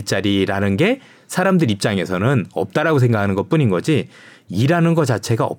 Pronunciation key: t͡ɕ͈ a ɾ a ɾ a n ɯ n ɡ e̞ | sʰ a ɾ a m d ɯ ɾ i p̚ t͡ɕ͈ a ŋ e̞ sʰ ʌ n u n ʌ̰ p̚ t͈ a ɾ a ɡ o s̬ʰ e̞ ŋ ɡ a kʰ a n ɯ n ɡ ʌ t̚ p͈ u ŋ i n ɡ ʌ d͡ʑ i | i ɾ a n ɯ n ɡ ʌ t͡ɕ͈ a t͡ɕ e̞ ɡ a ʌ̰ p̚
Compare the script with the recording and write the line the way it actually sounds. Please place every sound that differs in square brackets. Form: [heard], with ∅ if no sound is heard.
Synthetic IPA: t͡ɕ͈ a ɾ [i] ɾ a n ɯ n ɡ e̞ | sʰ a ɾ a m d ɯ ɾ i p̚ t͡ɕ͈ a ŋ e̞ sʰ ʌ n [ɯ] n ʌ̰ p̚ t͈ a ɾ a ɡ o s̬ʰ e̞ ŋ ɡ a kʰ a n ɯ n ɡ ʌ t̚ p͈ u [ɲ] i n ɡ ʌ d͡ʑ i | i ɾ a n ɯ n ɡ ʌ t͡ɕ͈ a [t͡ɕʰ] e̞ ɡ a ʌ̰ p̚